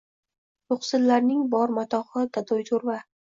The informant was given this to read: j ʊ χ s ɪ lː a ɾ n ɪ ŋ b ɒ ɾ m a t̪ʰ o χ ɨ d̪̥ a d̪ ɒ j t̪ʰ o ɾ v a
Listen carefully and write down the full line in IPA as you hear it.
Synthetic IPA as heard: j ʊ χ s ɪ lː a ɾ n ɪ ŋ b ɒ ɾ m a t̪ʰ ɒ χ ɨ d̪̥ a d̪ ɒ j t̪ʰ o ɾ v a